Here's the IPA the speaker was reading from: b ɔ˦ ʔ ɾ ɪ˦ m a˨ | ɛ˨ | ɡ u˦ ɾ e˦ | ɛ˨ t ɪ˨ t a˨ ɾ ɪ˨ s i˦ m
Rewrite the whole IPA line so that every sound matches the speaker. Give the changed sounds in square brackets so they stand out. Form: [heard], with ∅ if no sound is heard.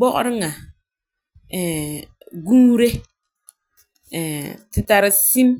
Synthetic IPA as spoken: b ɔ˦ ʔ ɾ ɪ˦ [ŋ] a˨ | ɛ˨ | ɡ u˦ ɾ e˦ | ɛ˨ t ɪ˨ t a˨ ɾ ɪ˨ s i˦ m